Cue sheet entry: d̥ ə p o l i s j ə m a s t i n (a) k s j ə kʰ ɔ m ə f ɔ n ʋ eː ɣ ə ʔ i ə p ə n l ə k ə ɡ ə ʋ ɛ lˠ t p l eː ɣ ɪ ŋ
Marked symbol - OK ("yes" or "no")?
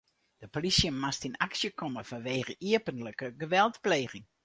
yes